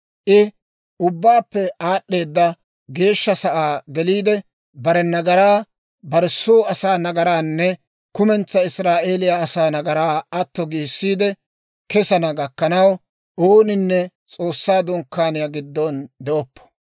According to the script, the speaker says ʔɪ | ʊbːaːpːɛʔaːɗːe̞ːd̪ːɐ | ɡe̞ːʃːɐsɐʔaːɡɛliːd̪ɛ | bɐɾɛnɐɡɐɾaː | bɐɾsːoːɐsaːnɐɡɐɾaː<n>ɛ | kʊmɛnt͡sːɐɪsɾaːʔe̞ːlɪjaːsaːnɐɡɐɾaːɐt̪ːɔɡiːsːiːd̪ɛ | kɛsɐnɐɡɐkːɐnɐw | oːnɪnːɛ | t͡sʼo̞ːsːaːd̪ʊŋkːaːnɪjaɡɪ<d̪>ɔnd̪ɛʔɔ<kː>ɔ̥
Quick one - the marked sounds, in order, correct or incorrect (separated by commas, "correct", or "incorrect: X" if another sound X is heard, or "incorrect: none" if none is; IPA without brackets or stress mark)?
incorrect: nː, incorrect: d̪ː, incorrect: pː